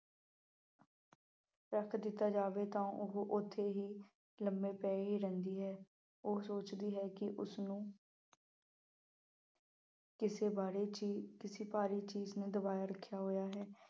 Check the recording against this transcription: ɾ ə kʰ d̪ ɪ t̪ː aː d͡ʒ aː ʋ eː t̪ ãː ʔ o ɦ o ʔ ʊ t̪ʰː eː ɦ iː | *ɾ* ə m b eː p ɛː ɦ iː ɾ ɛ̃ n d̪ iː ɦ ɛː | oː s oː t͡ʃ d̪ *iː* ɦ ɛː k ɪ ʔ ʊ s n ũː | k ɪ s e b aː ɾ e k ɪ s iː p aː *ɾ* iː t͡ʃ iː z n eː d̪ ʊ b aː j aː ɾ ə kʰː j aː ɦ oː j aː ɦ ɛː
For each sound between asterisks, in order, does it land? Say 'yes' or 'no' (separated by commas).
no, yes, yes